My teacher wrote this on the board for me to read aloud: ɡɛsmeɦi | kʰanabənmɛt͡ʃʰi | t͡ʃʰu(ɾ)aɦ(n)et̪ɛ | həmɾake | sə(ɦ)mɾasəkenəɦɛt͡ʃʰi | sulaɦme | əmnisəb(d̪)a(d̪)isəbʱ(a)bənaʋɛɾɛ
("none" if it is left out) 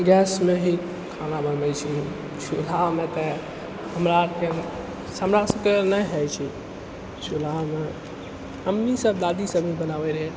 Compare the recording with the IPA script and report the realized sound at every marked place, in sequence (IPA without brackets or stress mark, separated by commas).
l, m, none, d̪, d̪, i